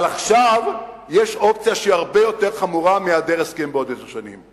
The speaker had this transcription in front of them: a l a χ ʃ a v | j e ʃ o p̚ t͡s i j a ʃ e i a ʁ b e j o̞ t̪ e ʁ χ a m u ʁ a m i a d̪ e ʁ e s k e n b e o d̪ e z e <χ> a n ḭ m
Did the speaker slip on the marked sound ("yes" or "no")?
yes